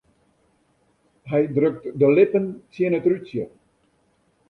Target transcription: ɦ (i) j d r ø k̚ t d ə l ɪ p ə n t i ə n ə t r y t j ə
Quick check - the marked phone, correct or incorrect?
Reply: incorrect